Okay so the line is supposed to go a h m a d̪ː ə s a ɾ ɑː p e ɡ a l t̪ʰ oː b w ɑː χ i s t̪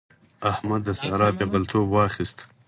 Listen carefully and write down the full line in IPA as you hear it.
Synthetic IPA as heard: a h m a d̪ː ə s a ɾ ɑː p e b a l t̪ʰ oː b w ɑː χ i s t̪